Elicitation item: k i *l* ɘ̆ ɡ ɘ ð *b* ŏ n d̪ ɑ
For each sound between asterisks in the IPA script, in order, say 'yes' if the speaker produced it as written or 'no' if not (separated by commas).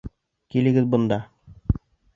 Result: yes, yes